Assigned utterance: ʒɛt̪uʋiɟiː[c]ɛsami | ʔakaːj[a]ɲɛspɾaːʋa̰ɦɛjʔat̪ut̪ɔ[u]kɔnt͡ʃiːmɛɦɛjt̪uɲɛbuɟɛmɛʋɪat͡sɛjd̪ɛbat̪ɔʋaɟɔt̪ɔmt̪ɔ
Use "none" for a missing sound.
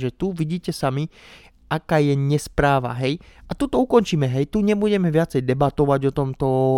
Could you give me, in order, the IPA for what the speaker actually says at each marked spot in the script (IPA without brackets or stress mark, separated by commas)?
c, ɛ, u